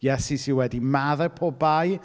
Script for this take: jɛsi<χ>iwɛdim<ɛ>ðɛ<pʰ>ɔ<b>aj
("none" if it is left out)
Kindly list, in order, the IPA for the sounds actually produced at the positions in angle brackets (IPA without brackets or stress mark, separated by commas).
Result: s, a, pʰ, b